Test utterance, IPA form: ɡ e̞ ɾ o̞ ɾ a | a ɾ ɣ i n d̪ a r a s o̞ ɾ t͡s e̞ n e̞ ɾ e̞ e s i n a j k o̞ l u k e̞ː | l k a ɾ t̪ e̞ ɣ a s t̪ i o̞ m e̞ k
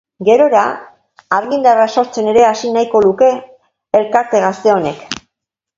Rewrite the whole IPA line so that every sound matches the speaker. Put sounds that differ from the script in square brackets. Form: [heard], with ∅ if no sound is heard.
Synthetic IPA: ɡ e̞ ɾ o̞ ɾ a | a ɾ ɣ i n d̪ a r a s o̞ ɾ t͡s e̞ n e̞ ɾ e̞ [a] s i n a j k o̞ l u k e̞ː | l k a ɾ t̪ e̞ ɣ a s t̪ [e] o̞ [n] e̞ k